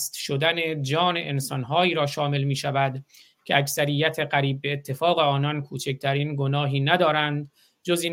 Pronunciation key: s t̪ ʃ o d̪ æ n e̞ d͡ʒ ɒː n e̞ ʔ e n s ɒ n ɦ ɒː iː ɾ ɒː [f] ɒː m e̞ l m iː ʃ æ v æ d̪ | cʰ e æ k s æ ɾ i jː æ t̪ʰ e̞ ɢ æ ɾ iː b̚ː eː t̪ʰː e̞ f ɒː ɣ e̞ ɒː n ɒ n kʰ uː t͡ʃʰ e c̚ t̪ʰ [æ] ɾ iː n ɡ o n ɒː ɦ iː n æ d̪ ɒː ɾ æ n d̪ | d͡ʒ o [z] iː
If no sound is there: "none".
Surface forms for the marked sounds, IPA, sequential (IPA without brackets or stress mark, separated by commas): ʃ, æ, z